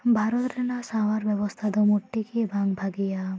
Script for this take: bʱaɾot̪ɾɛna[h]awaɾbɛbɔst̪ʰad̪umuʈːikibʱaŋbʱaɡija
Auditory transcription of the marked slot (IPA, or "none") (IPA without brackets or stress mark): s